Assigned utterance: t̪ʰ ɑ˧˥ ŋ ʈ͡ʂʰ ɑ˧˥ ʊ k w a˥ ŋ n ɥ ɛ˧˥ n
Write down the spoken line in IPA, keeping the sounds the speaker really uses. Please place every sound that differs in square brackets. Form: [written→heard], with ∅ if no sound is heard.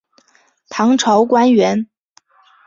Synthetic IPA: t̪ʰ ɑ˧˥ ŋ ʈ͡ʂʰ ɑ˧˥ ʊ k w a˥ [ŋ→∅] n ɥ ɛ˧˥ n